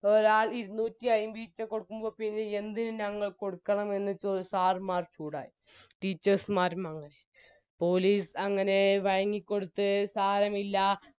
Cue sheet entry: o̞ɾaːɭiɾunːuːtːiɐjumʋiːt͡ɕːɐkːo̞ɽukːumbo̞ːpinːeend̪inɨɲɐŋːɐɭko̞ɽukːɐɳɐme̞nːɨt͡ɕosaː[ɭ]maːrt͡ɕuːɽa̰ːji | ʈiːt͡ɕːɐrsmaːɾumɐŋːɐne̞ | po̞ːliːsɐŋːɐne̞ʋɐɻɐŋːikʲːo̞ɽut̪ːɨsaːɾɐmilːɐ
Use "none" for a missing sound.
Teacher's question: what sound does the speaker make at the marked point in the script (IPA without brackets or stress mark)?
r